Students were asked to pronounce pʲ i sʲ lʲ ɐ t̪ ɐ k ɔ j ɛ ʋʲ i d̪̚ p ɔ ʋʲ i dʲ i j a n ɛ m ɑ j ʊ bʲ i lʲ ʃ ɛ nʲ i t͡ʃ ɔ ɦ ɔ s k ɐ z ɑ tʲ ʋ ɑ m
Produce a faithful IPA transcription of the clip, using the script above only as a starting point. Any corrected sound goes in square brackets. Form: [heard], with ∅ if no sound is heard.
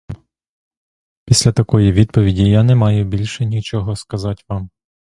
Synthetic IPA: pʲ i sʲ lʲ ɐ t̪ ɐ k ɔ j [i] ʋʲ i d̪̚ p ɔ ʋʲ i dʲ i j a n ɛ m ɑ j ʊ bʲ i lʲ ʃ ɛ nʲ i t͡ʃ ɔ ɦ ɔ s k ɐ z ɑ tʲ ʋ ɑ m